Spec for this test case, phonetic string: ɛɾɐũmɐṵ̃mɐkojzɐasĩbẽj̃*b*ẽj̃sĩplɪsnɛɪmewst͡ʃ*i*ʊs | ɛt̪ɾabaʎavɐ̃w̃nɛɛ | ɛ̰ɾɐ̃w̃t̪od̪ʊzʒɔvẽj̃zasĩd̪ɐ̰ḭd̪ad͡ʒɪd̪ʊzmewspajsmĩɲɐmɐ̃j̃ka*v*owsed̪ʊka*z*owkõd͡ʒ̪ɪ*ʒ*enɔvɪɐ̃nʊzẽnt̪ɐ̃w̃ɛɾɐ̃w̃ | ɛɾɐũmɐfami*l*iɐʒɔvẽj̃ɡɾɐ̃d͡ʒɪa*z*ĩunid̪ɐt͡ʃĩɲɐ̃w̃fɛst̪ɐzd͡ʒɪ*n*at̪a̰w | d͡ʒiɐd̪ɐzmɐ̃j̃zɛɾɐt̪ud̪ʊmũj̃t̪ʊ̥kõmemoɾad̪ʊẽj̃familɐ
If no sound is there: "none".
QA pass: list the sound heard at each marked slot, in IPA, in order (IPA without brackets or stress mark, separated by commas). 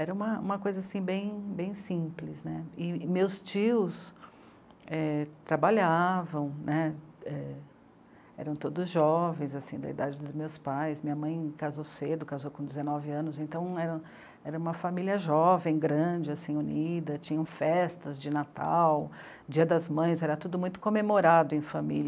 b, i, z, z, z, l, s, n